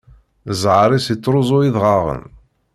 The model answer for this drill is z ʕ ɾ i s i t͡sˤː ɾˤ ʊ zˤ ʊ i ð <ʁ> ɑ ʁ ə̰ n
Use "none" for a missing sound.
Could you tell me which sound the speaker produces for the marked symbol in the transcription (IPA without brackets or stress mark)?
ʁ